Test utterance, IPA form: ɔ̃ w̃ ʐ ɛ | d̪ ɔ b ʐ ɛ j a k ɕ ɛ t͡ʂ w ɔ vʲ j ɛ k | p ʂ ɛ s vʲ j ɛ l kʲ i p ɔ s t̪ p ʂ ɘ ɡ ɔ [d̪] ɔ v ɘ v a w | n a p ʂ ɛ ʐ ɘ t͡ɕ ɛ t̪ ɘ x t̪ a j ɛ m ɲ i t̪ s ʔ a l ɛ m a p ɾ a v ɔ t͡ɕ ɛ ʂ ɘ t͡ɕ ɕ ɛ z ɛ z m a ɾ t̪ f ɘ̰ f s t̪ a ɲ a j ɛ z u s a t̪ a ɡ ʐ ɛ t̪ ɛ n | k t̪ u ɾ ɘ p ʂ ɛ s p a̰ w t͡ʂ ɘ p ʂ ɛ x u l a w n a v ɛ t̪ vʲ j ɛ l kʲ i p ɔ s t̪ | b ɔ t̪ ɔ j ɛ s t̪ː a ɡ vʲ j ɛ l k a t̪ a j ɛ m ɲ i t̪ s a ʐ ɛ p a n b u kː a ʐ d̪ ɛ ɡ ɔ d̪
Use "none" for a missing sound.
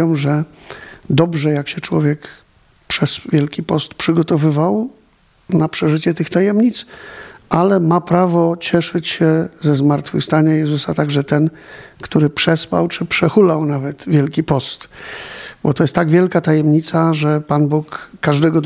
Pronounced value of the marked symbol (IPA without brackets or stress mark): t̪